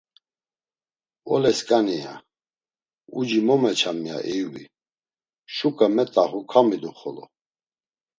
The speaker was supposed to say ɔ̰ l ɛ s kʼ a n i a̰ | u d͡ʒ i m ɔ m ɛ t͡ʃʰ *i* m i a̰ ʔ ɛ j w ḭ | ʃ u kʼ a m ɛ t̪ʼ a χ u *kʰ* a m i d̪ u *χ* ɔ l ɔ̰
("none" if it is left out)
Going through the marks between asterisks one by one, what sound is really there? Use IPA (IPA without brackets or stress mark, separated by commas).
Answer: a, kʰ, χ